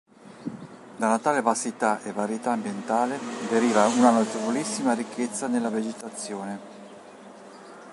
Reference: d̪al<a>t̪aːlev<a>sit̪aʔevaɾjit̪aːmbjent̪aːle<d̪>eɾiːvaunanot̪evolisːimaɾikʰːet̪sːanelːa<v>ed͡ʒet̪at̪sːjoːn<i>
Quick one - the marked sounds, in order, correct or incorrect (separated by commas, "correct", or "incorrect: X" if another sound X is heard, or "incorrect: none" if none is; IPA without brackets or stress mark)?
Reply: correct, correct, correct, correct, incorrect: e